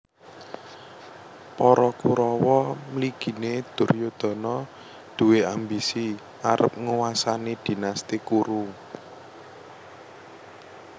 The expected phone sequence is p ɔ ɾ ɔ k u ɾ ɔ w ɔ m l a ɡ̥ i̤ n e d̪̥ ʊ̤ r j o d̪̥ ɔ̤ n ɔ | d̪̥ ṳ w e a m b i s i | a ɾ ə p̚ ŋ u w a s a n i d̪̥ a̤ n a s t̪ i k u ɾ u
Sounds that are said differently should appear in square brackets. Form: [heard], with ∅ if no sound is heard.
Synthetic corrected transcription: p ɔ ɾ ɔ k u ɾ ɔ w ɔ m l [i] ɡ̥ i̤ n e d̪̥ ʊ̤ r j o d̪̥ ɔ̤ n ɔ | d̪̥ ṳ w e a m b i s i | a ɾ ə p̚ ŋ u w a s a n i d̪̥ [i̤] n a s t̪ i k u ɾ u

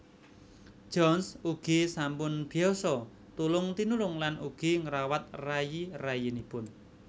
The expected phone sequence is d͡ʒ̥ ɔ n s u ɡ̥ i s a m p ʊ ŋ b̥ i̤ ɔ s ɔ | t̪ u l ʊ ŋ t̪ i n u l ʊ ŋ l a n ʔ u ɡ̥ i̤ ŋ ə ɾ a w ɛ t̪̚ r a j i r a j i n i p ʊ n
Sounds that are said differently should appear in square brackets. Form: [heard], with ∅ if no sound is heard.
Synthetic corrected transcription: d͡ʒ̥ ɔ n s u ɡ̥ i s a m p ʊ [n] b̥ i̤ ɔ s ɔ | t̪ u l ʊ ŋ t̪ i n u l ʊ ŋ l a n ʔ u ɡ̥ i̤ ŋ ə ɾ a w [a] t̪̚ r a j i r a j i n i p ʊ n

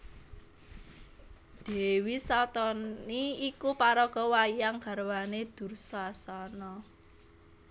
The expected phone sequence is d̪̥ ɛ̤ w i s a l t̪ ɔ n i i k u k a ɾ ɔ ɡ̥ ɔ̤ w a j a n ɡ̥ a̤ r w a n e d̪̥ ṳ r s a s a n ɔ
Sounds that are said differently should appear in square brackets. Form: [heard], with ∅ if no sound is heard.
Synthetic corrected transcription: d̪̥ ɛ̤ w i s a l t̪ ɔ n i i k u [p] a ɾ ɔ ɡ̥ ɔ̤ w a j a [ŋ] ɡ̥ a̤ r w a n e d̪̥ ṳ r s a s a n ɔ

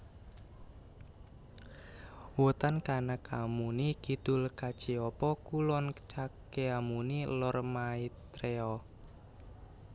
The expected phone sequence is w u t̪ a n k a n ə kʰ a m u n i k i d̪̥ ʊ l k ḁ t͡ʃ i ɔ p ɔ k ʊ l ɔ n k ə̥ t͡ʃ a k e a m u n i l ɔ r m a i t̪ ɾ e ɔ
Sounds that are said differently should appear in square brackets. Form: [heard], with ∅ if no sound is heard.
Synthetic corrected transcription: w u t̪ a n k a n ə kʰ a m u n i k i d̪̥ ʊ l k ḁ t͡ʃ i ɔ p ɔ k [u] l ɔ n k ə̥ t͡ʃ a k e a m u n i l ɔ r m a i t̪ ɾ e ɔ

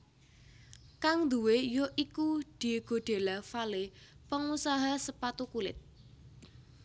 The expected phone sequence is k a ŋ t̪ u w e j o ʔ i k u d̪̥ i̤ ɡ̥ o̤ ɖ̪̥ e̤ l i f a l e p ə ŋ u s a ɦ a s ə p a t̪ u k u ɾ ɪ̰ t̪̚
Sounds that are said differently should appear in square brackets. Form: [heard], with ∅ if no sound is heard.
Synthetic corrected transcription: k a ŋ [d̪] u w e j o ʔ i k u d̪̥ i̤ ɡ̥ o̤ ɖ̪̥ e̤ l [a] f a l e p ə ŋ u s a ɦ a s ə p a t̪ u k u [l] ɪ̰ t̪̚

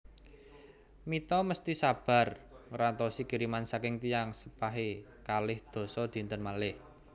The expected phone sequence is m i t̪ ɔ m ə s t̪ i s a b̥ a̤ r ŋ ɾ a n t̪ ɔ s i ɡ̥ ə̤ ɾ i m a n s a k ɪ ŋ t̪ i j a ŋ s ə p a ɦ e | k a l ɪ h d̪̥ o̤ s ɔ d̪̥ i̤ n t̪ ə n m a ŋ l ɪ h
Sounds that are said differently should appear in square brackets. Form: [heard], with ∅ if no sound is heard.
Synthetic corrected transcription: m i t̪ ɔ m ə s t̪ i s a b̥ a̤ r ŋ ɾ a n t̪ ɔ s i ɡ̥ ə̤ ɾ i m a n s a k ɪ ŋ t̪ i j a ŋ s ə p a ɦ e | k a l ɪ h d̪̥ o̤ s ɔ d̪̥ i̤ n t̪ ə n m a [∅] l ɪ h

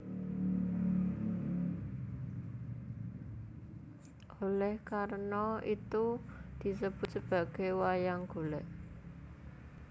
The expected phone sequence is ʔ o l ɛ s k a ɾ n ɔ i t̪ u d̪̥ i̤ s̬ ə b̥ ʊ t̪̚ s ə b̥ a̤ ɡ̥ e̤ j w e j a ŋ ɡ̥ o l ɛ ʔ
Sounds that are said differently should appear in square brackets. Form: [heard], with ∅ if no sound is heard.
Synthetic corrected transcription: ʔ o l ɛ [h] k a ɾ n ɔ i t̪ u d̪̥ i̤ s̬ ə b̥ ʊ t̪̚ s ə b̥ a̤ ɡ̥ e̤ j w [a] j a ŋ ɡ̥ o l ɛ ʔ

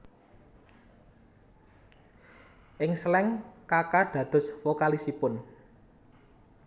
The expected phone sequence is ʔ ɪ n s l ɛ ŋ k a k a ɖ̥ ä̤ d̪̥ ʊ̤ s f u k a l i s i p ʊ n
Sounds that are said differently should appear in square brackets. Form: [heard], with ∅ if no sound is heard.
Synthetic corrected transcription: ʔ ɪ [ŋ] s l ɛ ŋ k a k a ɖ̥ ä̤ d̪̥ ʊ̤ s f [o] k a l i s i p ʊ n

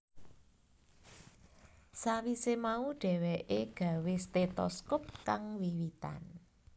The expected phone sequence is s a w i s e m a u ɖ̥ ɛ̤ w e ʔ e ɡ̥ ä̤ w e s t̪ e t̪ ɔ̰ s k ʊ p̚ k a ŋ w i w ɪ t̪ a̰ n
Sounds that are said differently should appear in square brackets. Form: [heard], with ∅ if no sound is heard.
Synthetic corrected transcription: s a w i s e m a u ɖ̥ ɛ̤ w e ʔ e ɡ̥ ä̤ w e s t̪ e t̪ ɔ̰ s k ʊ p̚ k a ŋ w i w [i] t̪ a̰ n

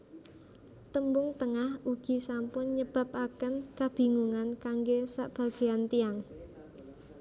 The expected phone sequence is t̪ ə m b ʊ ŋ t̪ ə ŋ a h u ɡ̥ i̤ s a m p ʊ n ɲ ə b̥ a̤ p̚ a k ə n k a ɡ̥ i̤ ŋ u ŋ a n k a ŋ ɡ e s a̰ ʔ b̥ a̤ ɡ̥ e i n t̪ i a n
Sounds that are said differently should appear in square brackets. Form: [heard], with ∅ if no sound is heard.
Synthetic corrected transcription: t̪ ə m b ʊ ŋ t̪ ə ŋ a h u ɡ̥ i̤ s a m p ʊ n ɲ ə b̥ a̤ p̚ a k ə n k a [b̥] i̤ ŋ u ŋ a n k a ŋ ɡ e s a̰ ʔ b̥ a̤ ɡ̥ e [a] n t̪ i a [ŋ]

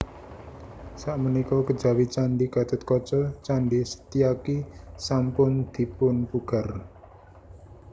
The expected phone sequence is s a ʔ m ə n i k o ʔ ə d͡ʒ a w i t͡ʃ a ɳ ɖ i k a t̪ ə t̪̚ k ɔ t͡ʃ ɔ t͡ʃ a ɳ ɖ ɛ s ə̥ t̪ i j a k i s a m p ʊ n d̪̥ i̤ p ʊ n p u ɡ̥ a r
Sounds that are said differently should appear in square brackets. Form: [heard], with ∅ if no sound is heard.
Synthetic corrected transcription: s a ʔ m ə n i k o [k] ə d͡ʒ a w i t͡ʃ a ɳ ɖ i k a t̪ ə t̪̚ k ɔ t͡ʃ ɔ t͡ʃ a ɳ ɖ [i] s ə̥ t̪ i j a k i s a m p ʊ n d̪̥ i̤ p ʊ n p u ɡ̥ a r

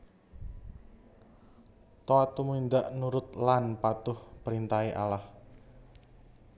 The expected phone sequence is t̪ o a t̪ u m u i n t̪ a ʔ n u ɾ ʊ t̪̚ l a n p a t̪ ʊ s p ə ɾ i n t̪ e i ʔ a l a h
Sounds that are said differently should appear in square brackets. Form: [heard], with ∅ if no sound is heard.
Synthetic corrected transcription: t̪ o a t̪ u m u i n [d̪] a ʔ n u ɾ ʊ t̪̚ l a n p a t̪ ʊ [h] p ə ɾ i n t̪ [a] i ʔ a l a h

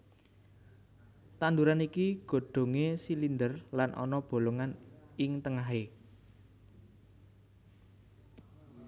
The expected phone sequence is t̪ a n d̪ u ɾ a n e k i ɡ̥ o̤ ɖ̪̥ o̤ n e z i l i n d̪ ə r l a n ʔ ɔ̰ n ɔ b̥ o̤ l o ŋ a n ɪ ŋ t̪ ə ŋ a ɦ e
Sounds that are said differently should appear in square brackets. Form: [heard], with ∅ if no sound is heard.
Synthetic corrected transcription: t̪ a n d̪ u ɾ a n [i] k i ɡ̥ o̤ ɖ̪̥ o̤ [ŋ] e [s] i l i n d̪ ə r l a n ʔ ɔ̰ n ɔ b̥ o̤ l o ŋ a n ɪ ŋ t̪ ə ŋ a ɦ e

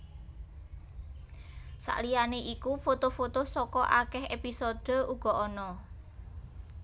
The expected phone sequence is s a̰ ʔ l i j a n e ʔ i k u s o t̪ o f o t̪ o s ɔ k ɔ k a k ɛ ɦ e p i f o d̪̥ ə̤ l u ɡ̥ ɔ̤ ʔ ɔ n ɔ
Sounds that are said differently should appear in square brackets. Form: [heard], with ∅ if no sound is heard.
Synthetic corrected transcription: s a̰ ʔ l i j a n e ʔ i k u [f] o t̪ o f o t̪ o s ɔ k ɔ [ʔ] a k ɛ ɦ e p i [s] o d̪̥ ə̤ [∅] u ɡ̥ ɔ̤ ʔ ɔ n ɔ

